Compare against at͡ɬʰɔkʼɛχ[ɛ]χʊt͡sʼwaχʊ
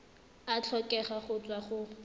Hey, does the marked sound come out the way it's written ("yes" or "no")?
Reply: no